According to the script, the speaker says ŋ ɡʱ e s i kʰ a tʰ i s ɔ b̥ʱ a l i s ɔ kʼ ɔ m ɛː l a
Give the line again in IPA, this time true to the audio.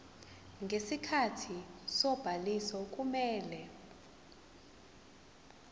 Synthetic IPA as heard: ŋ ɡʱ e s i kʰ a tʰ i s ɔ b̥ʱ a l i s ɔ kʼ u m ɛː l ɛ